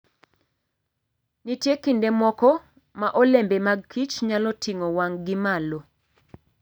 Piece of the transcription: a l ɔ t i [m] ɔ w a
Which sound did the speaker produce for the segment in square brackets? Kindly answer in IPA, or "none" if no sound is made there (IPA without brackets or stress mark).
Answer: ŋ